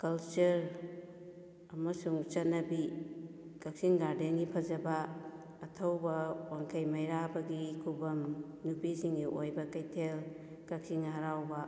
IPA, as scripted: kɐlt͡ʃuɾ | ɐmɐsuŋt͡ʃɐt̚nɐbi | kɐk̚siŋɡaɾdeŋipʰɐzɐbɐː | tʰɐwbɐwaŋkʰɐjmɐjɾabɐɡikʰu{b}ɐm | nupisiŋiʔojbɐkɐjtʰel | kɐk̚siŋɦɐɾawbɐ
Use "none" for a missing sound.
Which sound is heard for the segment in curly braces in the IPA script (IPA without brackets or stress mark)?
b